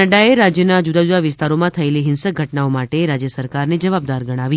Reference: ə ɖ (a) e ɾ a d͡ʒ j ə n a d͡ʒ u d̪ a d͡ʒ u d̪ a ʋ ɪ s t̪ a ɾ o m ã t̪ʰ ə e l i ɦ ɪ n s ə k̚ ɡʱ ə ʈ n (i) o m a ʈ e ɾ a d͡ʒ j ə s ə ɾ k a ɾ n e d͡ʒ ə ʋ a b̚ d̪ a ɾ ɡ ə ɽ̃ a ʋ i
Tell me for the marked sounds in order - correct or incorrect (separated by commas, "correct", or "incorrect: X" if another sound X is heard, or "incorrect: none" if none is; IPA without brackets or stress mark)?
correct, incorrect: a